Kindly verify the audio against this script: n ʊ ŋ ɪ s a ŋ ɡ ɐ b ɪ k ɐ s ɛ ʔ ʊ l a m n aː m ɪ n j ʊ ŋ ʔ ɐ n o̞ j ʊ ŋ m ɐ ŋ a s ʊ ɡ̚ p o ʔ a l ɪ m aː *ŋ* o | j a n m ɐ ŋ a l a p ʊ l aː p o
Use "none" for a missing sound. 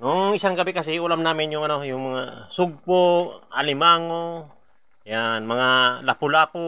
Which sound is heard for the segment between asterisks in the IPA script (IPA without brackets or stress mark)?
ŋ